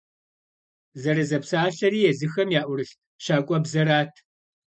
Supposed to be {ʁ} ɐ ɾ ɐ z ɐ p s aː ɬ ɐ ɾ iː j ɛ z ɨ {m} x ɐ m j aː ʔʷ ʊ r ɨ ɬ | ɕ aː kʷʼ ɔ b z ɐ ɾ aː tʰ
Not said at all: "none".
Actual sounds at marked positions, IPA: z, none

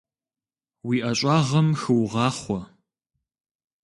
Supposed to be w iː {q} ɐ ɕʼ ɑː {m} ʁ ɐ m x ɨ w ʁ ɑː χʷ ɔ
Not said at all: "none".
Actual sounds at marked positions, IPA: ʔ, none

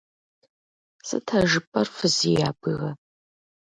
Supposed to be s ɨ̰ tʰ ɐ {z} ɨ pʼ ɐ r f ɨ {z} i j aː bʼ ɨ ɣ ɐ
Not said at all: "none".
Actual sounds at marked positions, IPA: ʒ, z

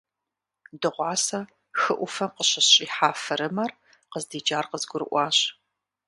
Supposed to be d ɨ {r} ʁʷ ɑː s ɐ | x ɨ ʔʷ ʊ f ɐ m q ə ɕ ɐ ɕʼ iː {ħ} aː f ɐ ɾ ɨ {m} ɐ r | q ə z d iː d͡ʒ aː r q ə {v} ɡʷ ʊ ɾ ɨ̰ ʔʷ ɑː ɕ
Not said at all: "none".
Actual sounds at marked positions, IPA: none, ħ, m, z

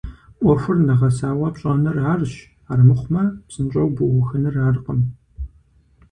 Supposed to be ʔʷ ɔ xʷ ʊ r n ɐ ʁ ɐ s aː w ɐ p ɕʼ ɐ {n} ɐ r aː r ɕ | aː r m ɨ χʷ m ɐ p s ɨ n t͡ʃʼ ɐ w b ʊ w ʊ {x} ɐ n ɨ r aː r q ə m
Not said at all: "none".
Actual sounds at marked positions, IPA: n, x

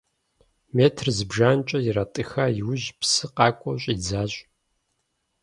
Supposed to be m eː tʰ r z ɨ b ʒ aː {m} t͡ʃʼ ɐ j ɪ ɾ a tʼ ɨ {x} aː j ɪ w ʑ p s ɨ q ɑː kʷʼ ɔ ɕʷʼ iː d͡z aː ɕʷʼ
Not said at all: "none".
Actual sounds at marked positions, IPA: n, x

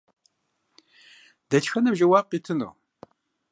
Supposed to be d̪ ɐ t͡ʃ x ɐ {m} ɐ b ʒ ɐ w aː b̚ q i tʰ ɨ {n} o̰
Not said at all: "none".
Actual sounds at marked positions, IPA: n, n

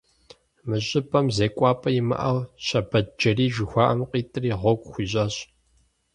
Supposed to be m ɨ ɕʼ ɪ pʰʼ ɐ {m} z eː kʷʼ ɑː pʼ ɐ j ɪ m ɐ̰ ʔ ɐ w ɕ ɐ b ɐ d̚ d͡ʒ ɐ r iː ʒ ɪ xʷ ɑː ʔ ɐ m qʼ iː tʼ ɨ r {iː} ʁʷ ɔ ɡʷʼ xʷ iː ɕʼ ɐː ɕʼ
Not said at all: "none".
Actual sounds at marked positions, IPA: m, iː

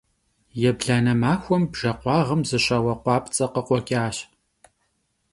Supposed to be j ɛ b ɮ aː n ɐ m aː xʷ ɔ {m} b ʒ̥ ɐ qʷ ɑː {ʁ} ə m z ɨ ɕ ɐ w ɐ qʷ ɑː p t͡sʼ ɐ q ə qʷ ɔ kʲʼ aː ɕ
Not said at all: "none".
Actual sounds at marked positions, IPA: m, ʁ

